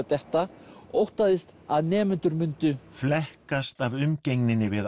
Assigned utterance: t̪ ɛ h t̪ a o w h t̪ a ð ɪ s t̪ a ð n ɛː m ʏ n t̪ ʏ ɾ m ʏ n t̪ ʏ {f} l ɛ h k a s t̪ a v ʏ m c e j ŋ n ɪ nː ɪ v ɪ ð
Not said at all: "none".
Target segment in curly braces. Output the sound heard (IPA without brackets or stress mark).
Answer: f